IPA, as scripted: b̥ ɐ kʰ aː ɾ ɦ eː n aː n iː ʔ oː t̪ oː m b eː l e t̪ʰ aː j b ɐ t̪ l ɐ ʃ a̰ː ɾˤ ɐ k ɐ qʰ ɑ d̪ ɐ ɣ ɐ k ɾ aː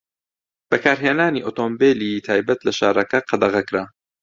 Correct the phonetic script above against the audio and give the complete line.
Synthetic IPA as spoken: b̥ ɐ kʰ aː ɾ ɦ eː n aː n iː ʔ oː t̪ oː m b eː l i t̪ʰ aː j b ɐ t̪ l ɐ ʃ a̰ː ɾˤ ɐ k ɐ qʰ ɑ d̪ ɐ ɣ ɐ k ɾ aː